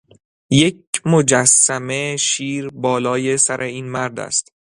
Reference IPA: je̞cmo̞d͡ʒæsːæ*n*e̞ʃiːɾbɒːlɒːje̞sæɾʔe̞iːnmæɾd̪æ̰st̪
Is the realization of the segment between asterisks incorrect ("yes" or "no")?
yes